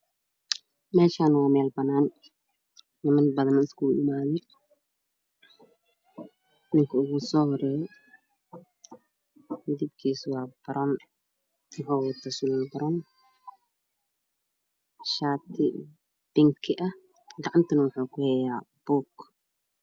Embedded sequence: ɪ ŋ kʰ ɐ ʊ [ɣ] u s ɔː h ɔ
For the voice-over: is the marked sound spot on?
yes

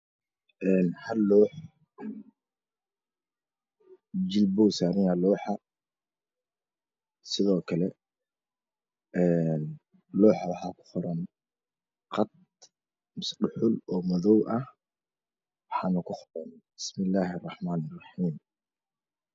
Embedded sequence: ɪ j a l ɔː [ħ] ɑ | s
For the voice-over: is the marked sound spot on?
yes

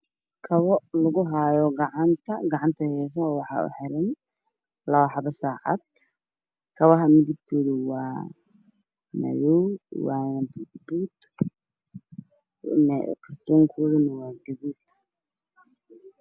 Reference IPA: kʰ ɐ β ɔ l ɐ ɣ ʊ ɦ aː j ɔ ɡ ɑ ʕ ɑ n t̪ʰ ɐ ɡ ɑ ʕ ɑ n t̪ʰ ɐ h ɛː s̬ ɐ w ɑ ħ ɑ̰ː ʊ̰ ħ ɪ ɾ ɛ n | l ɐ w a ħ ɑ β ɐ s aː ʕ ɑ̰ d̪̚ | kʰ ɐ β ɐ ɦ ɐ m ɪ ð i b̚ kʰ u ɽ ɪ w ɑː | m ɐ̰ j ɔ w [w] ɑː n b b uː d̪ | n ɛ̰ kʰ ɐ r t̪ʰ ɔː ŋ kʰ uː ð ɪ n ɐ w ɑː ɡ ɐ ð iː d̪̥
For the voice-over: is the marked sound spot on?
yes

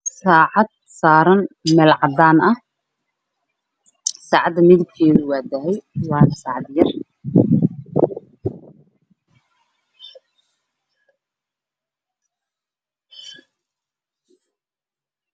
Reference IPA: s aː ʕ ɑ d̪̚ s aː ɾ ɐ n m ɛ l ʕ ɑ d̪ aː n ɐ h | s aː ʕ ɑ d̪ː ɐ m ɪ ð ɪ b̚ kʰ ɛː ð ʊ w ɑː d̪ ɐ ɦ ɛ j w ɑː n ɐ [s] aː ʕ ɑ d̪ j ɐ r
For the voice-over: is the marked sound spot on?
yes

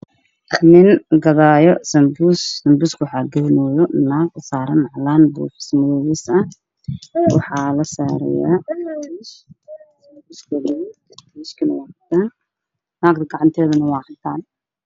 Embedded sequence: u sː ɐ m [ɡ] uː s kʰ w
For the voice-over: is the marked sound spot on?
no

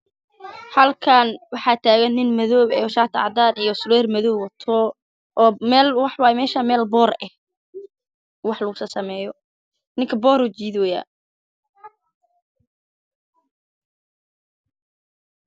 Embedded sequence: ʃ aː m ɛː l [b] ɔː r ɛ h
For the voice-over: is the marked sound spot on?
yes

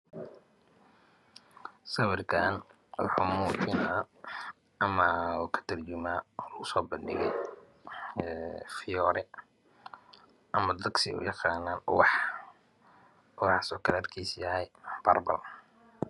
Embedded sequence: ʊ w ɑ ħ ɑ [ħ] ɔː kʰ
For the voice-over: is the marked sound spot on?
no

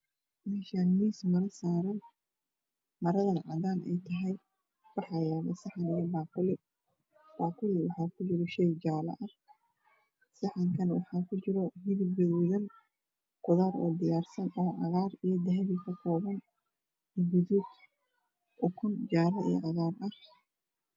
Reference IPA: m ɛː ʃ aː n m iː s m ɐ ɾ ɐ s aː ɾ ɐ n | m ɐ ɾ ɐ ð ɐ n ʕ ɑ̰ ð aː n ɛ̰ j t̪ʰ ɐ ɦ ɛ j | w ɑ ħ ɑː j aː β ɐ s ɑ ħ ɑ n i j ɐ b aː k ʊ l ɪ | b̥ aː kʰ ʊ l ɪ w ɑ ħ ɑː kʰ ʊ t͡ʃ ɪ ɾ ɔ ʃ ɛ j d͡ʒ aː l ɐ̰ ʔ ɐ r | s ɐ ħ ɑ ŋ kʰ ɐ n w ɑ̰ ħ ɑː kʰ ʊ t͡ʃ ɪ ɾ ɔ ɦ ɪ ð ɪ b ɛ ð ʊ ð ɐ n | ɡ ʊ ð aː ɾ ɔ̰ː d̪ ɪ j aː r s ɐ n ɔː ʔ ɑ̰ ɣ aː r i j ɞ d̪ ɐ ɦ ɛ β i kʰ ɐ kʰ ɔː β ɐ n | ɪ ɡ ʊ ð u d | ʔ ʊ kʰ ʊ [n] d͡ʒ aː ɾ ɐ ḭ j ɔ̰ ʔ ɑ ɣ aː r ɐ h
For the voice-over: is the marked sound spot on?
yes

